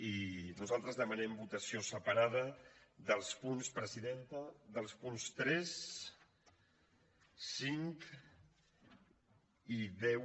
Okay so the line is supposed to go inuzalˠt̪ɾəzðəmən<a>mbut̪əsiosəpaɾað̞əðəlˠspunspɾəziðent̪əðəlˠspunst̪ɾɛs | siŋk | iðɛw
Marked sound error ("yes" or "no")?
yes